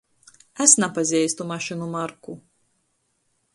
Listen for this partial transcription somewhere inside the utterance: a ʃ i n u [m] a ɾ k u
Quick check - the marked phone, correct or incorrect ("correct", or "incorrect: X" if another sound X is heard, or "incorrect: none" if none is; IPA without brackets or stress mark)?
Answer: correct